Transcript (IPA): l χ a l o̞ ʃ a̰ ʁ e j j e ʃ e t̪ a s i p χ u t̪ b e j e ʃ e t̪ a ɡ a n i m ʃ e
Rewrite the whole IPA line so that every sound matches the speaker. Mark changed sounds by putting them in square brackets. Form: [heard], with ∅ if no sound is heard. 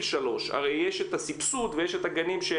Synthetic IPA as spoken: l [ʃ] a l o̞ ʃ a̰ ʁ e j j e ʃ e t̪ a s i p [s] u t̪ [v] e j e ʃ e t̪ a ɡ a n i m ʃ e